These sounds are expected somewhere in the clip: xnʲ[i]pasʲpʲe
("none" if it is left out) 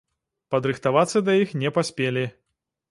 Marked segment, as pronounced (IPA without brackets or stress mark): ɛ